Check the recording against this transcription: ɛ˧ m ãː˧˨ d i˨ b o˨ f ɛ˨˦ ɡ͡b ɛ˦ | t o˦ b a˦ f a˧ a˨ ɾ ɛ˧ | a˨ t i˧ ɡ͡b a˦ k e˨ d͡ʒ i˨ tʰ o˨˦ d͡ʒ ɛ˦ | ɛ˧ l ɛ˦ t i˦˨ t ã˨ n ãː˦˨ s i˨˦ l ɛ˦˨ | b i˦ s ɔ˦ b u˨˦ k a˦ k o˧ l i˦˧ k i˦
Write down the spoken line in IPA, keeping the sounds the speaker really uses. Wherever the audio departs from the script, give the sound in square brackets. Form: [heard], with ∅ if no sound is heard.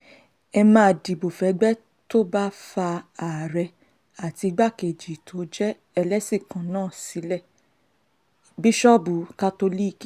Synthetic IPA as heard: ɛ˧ m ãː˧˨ d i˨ b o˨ f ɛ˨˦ ɡ͡b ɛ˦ | t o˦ b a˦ f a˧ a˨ ɾ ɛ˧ | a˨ t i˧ ɡ͡b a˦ k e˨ d͡ʒ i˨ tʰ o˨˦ d͡ʒ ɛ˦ | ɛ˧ l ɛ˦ [s] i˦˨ [k] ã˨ n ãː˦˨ s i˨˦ l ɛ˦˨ | b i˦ [ʃ] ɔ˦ b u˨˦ k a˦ [t] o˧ l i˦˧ k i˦